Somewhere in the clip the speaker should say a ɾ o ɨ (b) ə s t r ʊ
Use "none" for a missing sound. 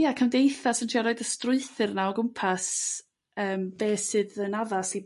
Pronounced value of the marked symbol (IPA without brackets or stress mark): d